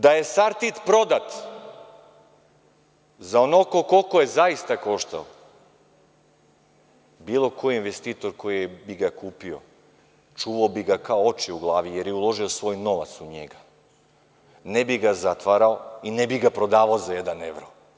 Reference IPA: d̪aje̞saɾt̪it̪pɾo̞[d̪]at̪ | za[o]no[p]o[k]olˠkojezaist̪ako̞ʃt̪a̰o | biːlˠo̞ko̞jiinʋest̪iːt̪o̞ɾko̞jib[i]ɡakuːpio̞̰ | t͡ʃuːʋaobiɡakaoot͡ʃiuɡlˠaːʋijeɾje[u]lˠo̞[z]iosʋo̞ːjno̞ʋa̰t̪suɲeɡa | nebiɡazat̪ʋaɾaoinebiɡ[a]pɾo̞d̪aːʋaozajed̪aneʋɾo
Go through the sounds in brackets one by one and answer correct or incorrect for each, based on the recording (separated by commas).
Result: correct, correct, incorrect, correct, correct, correct, incorrect, correct